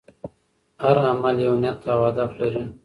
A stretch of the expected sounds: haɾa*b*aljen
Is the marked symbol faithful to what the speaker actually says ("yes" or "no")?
no